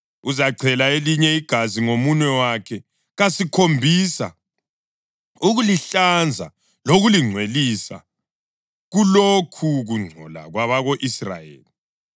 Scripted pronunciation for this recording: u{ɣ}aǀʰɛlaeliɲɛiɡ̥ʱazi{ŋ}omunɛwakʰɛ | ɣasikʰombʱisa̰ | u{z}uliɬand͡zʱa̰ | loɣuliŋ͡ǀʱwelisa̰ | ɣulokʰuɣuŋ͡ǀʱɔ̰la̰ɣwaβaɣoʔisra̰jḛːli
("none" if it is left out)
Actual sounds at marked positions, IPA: z, ŋ, ɣ

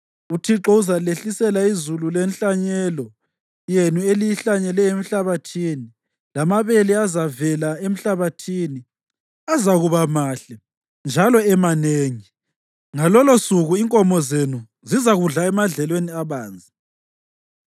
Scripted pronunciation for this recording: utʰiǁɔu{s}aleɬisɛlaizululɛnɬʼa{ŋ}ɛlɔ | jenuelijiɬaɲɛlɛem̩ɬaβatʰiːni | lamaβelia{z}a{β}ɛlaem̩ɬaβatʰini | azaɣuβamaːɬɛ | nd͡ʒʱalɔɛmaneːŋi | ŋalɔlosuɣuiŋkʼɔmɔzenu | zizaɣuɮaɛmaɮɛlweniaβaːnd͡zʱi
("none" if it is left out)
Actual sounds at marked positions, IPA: z, ɲ, z, v

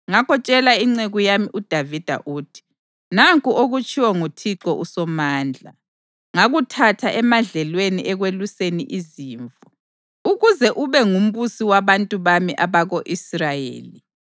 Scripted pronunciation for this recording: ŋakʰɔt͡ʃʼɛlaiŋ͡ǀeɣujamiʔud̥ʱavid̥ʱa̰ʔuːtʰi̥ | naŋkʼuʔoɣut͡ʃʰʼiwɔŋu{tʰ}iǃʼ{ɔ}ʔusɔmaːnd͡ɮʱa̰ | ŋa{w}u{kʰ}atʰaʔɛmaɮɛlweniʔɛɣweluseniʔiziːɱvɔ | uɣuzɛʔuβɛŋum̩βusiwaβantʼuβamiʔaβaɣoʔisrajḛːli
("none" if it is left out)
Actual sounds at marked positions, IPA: tʰ, ɔ, ɣ, tʰ

